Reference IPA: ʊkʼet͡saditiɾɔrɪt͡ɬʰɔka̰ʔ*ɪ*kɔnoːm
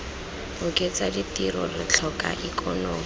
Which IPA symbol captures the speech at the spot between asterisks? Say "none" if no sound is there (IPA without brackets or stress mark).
i